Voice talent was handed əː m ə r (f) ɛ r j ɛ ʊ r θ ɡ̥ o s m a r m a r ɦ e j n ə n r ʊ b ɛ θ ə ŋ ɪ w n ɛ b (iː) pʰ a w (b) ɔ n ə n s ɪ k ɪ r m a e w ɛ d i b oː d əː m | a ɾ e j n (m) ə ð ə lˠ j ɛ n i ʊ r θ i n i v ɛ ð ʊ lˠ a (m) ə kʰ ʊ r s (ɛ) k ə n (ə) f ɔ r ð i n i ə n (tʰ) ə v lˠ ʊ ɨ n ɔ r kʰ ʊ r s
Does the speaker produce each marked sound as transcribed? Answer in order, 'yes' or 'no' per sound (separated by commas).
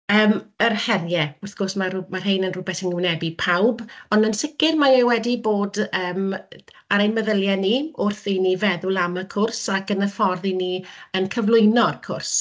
no, no, yes, yes, yes, no, yes, no